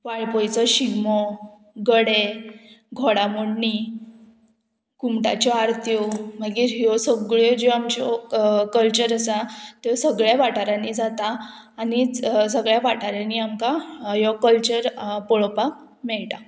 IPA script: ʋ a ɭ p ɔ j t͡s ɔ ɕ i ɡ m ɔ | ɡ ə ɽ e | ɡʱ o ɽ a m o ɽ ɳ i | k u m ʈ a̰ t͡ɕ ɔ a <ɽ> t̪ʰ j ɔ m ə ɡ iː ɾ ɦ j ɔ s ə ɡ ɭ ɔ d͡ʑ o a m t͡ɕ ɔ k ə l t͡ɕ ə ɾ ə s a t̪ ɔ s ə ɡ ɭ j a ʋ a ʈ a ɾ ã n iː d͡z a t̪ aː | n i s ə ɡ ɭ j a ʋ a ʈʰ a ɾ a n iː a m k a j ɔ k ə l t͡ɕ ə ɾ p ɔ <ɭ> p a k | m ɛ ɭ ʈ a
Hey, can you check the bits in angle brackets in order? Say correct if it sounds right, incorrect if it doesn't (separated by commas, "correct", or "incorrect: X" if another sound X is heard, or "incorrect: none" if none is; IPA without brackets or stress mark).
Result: incorrect: ɾ, correct